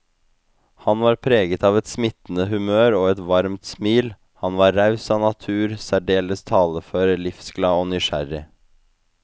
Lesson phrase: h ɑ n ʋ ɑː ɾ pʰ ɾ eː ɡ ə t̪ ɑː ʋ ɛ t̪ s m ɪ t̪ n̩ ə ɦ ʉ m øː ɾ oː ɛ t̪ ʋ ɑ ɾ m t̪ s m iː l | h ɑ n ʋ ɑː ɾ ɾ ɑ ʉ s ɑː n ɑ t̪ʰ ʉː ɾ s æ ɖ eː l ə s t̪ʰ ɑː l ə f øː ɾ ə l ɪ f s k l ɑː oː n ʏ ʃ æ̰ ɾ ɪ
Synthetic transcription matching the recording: h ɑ n ʋ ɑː ɾ pʰ ɾ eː ɡ ə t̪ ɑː ʋ ɛ t̪ s m ɪ t̪ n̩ ə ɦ ʉ m øː ɾ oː ɛ t̪ ʋ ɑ ɾ m t̪ s m iː l | h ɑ n ʋ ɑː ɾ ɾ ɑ ʉ s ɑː n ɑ t̪ʰ ʉː ɾ s æ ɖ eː l ə s t̪ʰ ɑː l ə f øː ɾ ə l ɪ f s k l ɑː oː n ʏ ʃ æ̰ ɾ ɪ